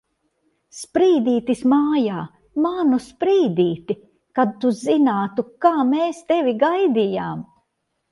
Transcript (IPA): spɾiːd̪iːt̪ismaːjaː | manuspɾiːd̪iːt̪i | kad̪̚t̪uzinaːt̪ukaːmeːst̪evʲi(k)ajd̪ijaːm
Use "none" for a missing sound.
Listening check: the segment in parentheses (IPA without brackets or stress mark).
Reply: ɡ